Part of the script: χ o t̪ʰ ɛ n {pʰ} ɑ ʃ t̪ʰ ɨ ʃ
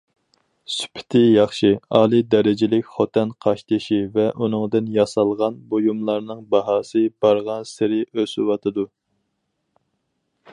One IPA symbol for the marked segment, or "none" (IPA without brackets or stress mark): qʰ